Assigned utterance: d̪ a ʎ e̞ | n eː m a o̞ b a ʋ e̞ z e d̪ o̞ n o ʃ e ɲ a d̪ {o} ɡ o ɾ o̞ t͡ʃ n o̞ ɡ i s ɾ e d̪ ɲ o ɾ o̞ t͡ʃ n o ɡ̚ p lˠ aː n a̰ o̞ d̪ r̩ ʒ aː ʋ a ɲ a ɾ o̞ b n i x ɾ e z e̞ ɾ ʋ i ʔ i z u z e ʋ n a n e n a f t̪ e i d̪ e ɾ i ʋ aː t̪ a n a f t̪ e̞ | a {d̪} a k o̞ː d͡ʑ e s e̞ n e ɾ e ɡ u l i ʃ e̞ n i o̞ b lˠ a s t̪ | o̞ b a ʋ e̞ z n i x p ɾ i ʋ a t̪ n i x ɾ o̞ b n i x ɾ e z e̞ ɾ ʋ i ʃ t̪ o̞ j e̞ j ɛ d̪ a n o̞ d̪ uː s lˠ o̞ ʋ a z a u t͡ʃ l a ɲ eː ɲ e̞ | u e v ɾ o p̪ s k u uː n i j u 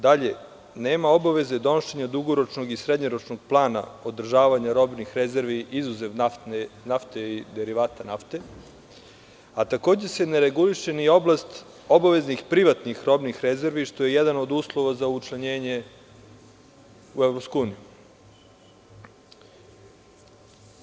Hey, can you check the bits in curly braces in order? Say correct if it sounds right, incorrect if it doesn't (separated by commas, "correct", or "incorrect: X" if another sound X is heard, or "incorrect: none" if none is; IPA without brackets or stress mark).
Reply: incorrect: u, incorrect: t̪